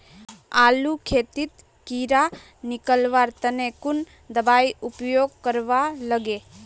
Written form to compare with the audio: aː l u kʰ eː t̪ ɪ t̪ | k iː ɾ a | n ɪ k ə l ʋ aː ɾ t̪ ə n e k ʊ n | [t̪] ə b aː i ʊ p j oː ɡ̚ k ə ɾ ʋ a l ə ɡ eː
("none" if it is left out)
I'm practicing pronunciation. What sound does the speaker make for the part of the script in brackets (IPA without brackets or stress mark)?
d̪